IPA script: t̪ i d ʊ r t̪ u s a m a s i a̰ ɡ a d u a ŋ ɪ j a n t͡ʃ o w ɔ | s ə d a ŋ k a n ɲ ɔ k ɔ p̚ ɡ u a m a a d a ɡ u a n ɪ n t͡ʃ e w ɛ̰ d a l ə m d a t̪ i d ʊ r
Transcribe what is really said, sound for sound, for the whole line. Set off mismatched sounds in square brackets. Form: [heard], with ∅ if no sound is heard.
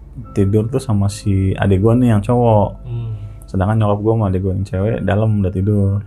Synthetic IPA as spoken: t̪ i d ʊ r t̪ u s a m a s i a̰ [d] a [ɡ] u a [n] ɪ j a [ŋ] t͡ʃ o w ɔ | s ə d a ŋ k a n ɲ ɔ k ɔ p̚ ɡ u a m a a d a ɡ u a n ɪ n t͡ʃ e w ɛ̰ d a l ə m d a t̪ i d ʊ r